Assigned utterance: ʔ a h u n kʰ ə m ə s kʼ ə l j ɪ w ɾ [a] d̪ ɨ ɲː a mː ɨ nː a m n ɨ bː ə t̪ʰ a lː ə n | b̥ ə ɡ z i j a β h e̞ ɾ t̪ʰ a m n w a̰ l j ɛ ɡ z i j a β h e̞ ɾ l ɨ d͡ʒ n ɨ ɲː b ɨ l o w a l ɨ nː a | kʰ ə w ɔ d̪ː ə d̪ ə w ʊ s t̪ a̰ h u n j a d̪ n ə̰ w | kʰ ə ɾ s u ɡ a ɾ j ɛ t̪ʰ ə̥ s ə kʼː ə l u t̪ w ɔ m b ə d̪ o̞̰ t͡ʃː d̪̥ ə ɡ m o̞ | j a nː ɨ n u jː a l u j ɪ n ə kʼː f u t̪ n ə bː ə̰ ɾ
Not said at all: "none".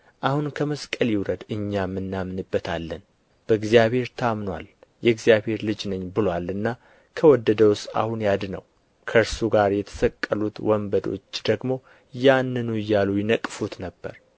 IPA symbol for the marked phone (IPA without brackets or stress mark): ə